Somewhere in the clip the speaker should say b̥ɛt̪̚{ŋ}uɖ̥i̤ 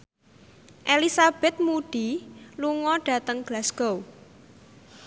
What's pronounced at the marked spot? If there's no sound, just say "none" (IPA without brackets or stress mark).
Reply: m